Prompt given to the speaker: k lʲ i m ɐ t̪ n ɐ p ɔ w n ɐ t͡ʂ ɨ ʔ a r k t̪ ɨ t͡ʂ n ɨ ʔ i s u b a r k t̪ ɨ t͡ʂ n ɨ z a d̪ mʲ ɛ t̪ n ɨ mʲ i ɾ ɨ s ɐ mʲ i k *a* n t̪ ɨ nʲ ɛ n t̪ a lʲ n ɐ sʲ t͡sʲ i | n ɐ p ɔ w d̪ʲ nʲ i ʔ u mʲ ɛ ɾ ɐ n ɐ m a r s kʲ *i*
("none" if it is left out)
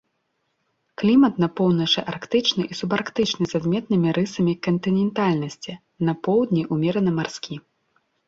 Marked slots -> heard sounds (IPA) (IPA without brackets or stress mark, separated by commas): ɐ, i